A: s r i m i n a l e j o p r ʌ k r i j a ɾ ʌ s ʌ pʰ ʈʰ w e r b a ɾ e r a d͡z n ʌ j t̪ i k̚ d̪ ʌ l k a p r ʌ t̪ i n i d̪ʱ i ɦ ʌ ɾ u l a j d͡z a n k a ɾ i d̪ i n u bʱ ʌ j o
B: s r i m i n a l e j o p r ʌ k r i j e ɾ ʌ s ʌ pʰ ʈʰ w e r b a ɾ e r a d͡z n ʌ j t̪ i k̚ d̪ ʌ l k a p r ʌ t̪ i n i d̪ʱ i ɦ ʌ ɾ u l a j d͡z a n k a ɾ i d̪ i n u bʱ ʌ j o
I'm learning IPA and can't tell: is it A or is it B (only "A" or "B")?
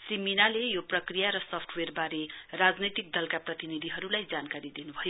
A